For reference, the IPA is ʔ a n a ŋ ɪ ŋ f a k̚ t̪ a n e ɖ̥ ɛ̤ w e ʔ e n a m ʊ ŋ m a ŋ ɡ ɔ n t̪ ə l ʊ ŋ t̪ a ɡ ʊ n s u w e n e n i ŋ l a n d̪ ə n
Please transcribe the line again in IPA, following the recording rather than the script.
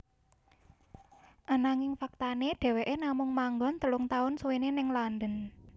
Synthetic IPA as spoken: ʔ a n a ŋ ɪ ŋ f a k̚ t̪ a n e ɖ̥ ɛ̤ w e ʔ e n a m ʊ ŋ m a ŋ ɡ ɔ n t̪ ə l ʊ ŋ t̪ a ʊ n s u w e n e n ɪ ŋ l a n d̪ ə n